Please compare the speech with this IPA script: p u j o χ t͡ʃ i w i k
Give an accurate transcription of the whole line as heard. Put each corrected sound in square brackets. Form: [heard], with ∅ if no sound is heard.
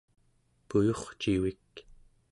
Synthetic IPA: p u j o χ t͡ʃ i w i k